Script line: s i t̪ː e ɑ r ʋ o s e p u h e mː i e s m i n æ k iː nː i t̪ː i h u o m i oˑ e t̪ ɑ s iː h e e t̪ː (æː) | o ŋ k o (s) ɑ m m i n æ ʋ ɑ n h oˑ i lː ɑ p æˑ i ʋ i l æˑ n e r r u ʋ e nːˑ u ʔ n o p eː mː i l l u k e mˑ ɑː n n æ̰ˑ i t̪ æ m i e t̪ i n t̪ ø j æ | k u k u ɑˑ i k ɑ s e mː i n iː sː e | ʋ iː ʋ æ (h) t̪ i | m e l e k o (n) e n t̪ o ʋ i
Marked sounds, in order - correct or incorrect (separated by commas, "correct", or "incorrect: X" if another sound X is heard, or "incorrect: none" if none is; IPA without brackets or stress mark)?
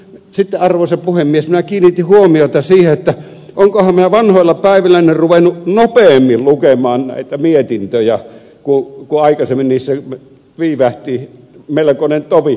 incorrect: æ, incorrect: h, correct, correct